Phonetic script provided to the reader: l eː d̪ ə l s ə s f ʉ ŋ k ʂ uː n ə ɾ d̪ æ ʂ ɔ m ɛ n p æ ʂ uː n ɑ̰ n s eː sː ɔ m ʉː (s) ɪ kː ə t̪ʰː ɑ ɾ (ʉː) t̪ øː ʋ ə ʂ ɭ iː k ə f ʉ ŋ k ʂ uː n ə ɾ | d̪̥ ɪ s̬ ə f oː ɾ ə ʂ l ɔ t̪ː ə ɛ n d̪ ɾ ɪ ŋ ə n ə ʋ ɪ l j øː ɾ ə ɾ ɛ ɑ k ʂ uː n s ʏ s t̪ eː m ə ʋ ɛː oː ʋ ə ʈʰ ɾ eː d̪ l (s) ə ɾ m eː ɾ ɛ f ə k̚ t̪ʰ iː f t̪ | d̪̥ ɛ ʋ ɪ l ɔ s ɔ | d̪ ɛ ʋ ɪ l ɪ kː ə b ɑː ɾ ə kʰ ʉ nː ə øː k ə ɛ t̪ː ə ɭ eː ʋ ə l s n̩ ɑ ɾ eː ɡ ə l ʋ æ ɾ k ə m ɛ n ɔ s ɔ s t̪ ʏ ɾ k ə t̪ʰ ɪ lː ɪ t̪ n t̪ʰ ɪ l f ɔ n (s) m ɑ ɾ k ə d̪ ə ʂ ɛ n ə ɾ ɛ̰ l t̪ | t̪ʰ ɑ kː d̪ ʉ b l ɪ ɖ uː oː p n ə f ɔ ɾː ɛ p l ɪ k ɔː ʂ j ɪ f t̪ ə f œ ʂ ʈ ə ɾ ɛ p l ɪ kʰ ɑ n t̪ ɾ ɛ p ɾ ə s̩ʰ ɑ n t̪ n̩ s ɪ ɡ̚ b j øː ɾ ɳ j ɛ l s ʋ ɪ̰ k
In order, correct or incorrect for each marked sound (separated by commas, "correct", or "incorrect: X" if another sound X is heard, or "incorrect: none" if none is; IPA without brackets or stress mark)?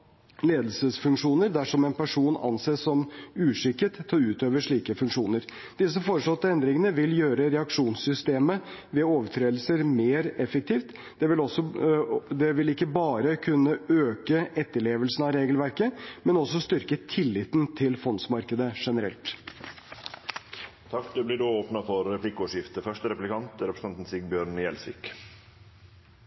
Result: incorrect: ʂ, correct, correct, correct